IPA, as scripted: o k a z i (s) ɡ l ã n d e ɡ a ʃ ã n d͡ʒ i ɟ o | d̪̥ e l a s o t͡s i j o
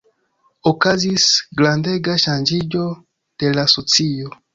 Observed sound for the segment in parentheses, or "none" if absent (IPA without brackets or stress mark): s